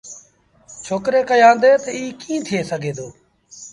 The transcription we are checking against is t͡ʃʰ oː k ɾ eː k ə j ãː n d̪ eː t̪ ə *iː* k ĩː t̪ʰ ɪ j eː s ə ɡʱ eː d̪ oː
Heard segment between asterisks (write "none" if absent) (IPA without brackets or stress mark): iː